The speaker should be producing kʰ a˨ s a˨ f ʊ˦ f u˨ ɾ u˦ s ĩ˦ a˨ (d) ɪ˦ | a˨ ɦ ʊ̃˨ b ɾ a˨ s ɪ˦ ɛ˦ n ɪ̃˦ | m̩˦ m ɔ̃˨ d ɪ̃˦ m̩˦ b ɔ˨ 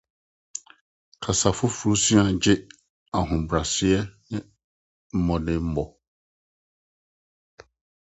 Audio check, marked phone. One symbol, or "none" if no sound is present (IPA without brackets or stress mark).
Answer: d͡ʑ